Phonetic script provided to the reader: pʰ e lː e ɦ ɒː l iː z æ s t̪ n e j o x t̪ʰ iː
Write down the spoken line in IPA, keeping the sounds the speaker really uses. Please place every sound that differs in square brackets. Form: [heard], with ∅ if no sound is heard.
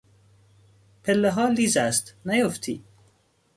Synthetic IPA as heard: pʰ e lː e ɦ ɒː l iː z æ s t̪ n [æ] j o [f] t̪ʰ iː